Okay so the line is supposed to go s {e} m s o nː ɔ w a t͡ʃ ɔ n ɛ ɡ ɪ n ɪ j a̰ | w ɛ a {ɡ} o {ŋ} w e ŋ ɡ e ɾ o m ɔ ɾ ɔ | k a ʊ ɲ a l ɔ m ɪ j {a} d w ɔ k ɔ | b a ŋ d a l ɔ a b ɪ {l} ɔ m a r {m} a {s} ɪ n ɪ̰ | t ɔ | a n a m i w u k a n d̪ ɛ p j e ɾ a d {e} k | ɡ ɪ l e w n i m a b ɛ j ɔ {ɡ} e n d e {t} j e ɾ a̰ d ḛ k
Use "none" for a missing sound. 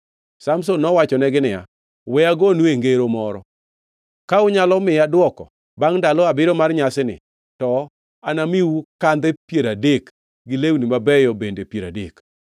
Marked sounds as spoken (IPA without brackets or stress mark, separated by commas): a, ɡ, n, a, ɾ, ɲ, s, e, b, p